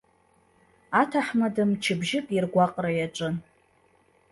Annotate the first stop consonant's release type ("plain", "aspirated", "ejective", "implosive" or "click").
aspirated